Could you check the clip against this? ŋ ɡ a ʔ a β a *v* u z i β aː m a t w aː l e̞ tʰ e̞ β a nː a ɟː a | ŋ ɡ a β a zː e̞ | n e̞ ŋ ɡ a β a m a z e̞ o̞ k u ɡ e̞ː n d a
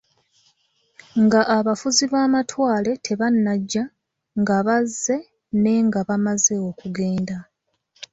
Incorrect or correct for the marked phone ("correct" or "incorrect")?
incorrect